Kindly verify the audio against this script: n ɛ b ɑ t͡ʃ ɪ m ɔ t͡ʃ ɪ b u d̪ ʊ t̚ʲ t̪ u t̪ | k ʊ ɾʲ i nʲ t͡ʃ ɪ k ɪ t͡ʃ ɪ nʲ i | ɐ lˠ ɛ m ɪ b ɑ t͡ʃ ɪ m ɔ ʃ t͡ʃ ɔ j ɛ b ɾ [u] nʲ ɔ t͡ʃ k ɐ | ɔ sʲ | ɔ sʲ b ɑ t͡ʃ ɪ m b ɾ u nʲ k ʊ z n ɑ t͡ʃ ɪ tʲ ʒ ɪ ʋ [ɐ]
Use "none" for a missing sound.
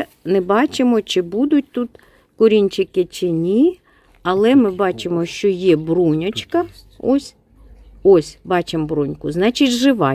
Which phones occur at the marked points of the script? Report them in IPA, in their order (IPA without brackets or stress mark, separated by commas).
u, ɑ